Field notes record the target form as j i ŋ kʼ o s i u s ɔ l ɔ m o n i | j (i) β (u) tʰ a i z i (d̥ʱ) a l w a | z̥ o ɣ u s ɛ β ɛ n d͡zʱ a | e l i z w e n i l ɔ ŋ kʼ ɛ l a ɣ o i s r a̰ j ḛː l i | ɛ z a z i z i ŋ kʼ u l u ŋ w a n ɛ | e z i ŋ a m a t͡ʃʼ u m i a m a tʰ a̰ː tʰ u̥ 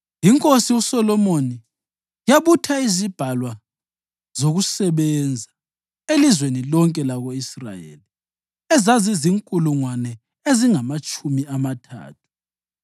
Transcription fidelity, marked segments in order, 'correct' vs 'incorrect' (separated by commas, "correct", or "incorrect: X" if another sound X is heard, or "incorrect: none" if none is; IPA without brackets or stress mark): incorrect: a, correct, incorrect: b̥ʱ